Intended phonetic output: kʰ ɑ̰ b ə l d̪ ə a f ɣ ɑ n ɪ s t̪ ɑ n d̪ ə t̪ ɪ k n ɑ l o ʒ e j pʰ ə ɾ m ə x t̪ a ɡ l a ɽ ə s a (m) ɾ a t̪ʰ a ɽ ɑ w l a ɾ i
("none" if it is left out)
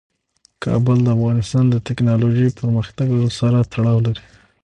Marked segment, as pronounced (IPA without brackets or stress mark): none